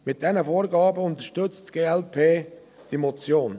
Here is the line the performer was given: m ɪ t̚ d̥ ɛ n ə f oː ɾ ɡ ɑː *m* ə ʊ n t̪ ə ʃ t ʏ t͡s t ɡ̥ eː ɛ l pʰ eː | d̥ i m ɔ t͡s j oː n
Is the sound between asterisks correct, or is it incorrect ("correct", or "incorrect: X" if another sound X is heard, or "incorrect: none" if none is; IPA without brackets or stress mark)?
incorrect: b